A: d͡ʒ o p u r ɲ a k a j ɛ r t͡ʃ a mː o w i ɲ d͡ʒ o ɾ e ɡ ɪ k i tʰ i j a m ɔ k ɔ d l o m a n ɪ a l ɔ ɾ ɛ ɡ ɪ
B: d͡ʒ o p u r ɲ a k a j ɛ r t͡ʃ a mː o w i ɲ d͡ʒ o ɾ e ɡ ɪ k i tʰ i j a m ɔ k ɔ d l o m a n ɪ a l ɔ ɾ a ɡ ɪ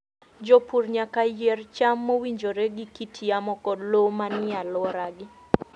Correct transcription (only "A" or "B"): B